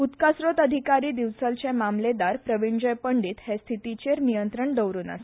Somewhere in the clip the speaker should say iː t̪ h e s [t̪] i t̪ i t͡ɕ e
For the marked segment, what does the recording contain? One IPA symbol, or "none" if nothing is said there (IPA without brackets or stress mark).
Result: t̪ʰ